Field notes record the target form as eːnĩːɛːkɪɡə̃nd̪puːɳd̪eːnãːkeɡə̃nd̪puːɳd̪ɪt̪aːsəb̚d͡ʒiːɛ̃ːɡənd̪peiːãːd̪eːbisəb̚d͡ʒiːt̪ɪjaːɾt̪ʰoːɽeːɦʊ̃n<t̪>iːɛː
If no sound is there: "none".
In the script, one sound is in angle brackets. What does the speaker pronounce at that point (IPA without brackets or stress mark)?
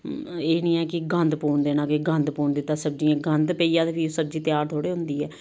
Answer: d̪